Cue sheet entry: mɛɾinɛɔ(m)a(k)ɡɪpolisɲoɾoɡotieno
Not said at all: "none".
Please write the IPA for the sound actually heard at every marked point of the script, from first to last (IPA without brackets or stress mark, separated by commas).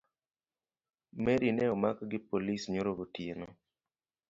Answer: m, k